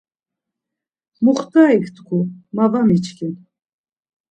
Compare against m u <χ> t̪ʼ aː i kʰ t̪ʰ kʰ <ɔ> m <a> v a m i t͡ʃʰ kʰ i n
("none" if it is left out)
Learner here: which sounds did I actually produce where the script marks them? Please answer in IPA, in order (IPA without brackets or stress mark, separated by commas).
χ, u, a